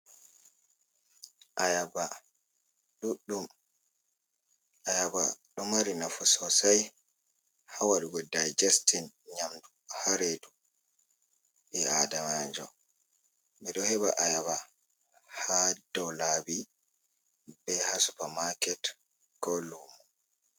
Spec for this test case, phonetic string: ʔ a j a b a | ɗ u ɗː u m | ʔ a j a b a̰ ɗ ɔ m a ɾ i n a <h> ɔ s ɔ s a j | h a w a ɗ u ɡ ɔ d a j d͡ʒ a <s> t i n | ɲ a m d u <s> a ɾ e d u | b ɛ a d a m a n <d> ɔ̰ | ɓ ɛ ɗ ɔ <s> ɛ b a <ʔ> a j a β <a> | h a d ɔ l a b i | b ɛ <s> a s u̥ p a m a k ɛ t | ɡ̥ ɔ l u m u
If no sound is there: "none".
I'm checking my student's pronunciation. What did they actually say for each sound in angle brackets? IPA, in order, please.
f, s, h, d͡ʒ, h, ʔ, a, h

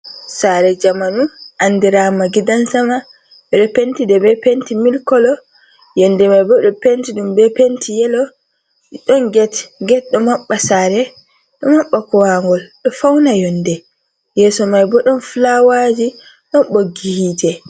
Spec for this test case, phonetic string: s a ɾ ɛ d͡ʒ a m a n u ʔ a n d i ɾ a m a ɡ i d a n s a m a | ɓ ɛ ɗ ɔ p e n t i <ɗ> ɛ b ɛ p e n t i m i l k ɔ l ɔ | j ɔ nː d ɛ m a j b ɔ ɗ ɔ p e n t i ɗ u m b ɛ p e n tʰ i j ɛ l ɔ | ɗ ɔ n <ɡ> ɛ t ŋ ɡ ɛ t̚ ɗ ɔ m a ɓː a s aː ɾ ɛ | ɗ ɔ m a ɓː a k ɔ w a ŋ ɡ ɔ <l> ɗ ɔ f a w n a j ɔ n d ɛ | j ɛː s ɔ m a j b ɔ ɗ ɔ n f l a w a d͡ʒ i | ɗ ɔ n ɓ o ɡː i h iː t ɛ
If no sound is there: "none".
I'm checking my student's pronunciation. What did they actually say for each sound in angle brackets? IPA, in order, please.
d, ɡ, l

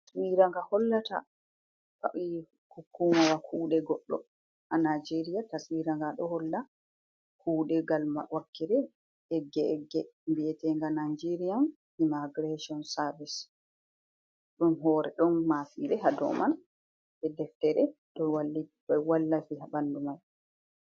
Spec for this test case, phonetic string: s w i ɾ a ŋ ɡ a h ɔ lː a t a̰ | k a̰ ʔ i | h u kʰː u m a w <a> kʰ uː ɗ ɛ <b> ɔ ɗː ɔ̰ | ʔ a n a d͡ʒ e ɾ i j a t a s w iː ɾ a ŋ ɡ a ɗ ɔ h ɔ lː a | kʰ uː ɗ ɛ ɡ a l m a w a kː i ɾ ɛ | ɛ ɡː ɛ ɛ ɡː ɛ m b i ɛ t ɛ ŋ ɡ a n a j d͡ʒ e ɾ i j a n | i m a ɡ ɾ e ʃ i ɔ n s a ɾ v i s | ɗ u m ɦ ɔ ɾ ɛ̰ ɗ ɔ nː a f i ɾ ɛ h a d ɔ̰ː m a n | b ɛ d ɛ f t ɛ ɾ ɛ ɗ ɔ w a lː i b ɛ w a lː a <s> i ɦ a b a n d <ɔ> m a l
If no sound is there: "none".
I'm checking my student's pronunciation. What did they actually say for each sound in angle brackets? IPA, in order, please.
a, ɡ, f, u

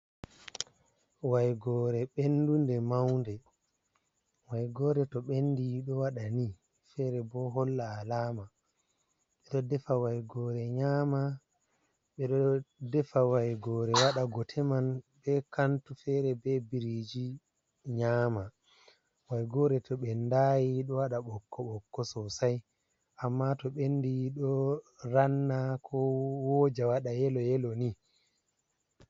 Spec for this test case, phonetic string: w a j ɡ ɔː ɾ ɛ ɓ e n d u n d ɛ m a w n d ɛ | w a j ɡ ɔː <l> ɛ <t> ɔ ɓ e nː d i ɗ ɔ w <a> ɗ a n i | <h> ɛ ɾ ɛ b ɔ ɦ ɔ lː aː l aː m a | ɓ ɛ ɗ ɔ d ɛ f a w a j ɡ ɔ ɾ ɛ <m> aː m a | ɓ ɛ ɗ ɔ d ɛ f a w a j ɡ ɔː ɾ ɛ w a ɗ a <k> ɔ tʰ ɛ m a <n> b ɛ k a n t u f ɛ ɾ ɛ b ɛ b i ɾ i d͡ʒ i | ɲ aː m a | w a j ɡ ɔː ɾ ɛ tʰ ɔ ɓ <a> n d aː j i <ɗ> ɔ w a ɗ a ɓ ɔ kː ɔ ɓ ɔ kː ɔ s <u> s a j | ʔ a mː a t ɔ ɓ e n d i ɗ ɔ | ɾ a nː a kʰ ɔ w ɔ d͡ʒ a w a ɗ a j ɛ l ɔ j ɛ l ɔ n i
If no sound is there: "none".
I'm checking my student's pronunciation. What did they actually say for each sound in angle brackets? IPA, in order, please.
ɾ, t, a, f, ɲ, ɡ, n, ɛ, ɗ, ɔ

